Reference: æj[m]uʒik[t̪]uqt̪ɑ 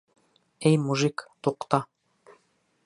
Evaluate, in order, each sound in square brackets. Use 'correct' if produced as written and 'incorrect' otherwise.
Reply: correct, correct

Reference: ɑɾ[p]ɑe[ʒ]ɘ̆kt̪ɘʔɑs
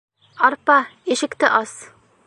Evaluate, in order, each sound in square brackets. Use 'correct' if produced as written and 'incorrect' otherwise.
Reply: correct, incorrect: ʃ

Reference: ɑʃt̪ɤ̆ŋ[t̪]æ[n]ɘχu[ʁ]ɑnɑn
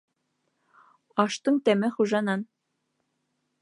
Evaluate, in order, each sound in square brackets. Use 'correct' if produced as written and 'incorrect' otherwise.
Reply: correct, incorrect: m, incorrect: ʒ

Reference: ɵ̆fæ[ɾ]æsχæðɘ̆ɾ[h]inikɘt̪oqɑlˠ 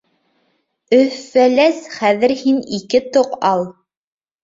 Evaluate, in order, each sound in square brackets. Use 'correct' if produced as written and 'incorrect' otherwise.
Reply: incorrect: l, correct

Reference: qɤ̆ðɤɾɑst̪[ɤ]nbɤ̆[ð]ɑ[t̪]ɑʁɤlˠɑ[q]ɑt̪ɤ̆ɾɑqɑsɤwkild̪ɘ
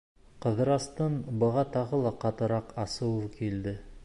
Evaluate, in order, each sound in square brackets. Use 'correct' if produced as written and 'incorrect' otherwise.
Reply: correct, incorrect: ʁ, correct, correct

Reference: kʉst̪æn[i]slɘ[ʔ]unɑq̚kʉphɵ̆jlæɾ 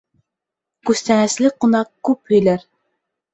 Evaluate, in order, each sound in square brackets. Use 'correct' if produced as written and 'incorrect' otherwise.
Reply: incorrect: æ, incorrect: q

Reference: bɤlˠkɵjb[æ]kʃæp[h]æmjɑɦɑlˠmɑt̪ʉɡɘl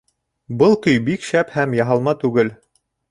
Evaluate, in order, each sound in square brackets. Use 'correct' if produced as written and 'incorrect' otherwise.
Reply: incorrect: i, correct

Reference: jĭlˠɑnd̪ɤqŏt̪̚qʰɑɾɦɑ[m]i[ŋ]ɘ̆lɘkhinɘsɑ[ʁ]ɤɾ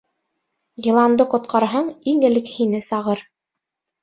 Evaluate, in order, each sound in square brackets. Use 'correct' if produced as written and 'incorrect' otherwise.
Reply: incorrect: ɴ, correct, correct

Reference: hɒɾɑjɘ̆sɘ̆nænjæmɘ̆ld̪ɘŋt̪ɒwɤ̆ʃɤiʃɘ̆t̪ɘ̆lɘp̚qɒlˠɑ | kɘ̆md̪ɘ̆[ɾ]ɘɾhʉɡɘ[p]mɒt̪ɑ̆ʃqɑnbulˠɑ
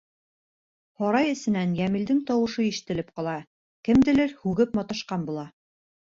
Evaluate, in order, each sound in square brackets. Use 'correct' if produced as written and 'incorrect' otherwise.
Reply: incorrect: l, correct

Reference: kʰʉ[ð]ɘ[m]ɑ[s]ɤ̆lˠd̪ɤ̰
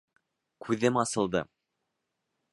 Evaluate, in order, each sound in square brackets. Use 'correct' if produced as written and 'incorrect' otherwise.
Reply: correct, correct, correct

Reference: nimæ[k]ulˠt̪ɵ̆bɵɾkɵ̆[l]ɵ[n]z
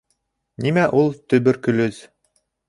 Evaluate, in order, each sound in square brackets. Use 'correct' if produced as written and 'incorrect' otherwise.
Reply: incorrect: ʔ, correct, incorrect: none

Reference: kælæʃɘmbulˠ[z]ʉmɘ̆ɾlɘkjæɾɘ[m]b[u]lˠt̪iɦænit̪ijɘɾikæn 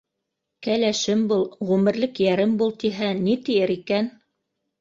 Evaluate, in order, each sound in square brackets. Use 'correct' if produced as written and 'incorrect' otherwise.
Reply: incorrect: ʁ, correct, correct

